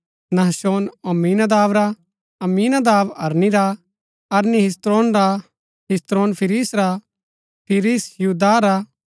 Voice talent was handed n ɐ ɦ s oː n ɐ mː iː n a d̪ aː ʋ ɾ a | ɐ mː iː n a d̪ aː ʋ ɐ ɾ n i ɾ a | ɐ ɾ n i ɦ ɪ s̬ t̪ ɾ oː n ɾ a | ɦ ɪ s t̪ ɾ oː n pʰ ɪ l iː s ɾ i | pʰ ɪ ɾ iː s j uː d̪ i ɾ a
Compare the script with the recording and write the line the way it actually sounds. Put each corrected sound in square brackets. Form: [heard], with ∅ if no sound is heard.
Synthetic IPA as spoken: n ɐ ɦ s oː n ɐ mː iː n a d̪ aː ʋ ɾ a | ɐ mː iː n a d̪ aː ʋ ɐ ɾ n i ɾ a | ɐ ɾ n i ɦ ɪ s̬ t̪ ɾ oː n ɾ a | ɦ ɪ s t̪ ɾ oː n pʰ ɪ [ɾ] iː s ɾ [a] | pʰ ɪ ɾ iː s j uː d̪ [a] ɾ a